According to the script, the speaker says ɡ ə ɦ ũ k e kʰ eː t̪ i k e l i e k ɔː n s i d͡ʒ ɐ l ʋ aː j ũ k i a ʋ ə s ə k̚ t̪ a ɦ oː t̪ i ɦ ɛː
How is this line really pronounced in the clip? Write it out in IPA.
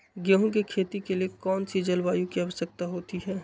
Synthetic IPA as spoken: ɡ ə ɦ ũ k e kʰ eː t̪ i k e l i e k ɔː n s i d͡ʒ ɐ l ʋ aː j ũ k i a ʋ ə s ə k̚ t̪ a ɦ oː t̪ i ɦ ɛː